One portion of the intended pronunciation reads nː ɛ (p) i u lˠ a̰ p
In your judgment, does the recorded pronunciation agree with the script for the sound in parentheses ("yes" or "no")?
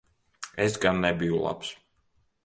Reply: no